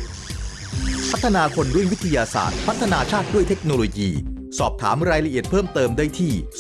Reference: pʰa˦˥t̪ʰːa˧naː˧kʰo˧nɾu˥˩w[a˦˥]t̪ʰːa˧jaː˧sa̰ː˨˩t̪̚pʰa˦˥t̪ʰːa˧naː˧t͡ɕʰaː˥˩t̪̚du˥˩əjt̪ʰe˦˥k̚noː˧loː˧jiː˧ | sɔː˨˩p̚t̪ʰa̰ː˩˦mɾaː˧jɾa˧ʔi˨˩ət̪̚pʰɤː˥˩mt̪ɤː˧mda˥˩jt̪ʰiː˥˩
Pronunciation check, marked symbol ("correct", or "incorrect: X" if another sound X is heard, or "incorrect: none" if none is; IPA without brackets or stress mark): incorrect: i˦˥